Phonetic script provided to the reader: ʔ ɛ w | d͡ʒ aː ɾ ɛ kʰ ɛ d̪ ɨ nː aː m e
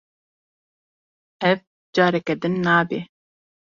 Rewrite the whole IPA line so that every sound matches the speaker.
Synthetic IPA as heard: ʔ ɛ v | d͡ʒ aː ɾ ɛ k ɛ d̪ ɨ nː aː b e